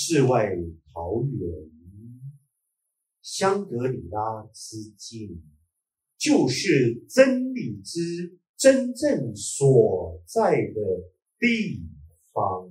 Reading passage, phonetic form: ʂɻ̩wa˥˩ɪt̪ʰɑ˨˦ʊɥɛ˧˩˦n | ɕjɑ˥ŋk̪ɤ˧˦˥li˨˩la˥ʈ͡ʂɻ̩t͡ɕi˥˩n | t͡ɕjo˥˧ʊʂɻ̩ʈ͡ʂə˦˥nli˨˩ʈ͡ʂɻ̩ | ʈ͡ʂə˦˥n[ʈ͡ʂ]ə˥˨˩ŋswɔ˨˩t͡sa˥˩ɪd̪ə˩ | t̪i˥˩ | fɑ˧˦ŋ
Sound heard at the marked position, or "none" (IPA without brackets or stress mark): ʈ͡ʂ